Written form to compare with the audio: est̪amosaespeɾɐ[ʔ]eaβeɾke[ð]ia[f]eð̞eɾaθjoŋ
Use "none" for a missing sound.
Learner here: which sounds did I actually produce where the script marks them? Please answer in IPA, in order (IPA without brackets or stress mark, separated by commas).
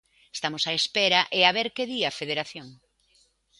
ʔ, ð, f